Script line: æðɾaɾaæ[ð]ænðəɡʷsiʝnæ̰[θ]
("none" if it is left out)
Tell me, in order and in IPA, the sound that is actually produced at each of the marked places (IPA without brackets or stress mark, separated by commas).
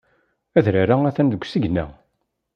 θ, none